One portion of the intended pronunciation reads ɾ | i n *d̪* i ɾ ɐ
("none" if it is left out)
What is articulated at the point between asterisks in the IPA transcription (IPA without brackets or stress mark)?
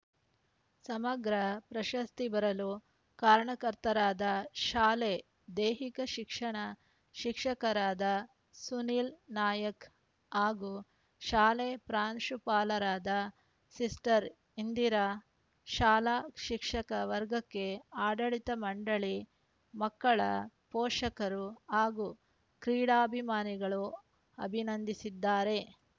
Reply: d̪